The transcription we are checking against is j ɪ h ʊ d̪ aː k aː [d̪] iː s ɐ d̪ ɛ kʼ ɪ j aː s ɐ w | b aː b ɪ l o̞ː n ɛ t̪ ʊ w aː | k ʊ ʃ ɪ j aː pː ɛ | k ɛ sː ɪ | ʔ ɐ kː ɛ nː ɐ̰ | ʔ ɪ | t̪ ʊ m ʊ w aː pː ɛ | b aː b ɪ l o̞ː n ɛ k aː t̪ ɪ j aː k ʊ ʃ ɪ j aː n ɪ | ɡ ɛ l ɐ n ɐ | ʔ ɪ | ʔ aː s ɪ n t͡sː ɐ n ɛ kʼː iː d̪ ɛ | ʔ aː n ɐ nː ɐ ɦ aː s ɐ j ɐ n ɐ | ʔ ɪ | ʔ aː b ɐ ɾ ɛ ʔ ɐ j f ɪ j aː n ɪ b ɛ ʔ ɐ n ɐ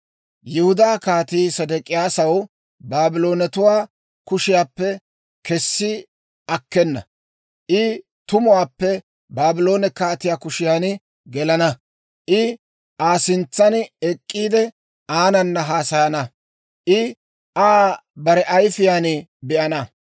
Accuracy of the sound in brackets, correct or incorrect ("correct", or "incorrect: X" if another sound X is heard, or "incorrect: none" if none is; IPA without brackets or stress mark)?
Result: incorrect: t̪